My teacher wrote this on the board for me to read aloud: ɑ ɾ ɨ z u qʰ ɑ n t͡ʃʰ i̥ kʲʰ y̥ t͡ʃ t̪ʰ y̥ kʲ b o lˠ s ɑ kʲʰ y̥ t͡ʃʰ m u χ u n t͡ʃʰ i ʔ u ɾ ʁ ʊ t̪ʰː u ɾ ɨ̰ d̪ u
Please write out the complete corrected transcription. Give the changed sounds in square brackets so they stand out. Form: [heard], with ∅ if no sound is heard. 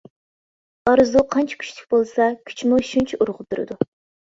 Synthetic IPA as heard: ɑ ɾ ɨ z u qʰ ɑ n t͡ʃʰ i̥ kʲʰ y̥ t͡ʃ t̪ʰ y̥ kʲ b o lˠ s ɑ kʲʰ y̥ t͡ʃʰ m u [ʃ] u n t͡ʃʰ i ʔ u ɾ ʁ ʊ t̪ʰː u ɾ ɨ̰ d̪ u